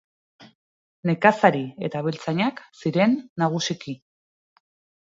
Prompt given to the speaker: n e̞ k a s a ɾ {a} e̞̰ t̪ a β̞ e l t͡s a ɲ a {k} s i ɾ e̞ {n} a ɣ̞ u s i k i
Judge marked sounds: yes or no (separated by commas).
no, yes, no